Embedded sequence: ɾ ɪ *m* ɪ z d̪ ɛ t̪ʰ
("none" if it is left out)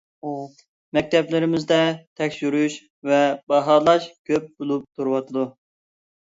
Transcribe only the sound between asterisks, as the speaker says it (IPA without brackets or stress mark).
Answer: m